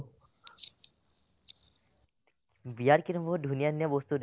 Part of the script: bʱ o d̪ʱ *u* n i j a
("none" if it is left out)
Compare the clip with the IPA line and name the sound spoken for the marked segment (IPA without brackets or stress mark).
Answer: u